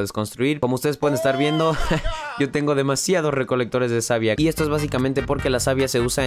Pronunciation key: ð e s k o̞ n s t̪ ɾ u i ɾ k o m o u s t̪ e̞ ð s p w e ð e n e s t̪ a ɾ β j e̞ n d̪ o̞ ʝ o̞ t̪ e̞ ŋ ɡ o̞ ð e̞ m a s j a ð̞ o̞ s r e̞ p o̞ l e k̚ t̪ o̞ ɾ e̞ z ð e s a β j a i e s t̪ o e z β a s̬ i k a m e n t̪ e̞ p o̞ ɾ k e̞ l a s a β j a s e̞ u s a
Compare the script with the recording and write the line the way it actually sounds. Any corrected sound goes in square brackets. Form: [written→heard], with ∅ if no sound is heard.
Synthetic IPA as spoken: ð e s k o̞ n s t̪ ɾ u i ɾ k o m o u s t̪ e̞ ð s p w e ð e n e s t̪ a ɾ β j e̞ n d̪ o̞ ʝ o̞ t̪ e̞ ŋ ɡ o̞ ð e̞ m a s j a ð̞ o̞ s r e̞ [p→k] o̞ l e k̚ t̪ o̞ ɾ e̞ z ð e s a β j a i e s t̪ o e z β a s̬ i k a m e n t̪ e̞ p o̞ ɾ k e̞ l a s a β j a s e̞ u s a